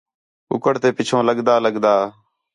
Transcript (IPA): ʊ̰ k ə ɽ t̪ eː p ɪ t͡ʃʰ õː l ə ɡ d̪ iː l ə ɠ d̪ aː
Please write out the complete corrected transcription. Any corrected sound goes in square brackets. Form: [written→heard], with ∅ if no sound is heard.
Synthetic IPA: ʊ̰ k ə ɽ t̪ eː p ɪ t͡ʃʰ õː l ə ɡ d̪ [iː→aː] l ə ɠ d̪ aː